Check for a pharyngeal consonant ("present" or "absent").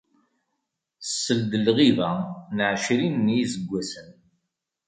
present